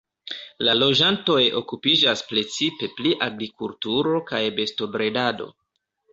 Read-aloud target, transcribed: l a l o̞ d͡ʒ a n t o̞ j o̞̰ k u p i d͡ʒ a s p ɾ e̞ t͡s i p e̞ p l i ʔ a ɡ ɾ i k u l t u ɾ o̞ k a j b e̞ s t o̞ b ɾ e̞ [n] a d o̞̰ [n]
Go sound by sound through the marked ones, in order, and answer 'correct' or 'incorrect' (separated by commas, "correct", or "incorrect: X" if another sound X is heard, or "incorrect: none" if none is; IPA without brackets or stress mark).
incorrect: d, incorrect: none